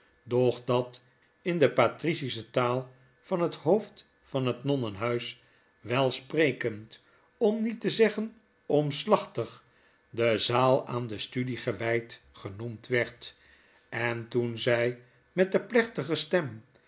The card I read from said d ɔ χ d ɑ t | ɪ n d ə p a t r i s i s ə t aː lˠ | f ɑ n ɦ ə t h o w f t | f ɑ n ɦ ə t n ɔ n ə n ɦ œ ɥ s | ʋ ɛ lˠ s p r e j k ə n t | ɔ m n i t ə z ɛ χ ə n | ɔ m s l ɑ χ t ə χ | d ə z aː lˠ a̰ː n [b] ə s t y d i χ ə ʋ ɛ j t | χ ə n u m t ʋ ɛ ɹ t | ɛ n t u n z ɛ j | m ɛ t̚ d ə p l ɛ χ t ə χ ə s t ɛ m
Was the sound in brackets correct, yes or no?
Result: no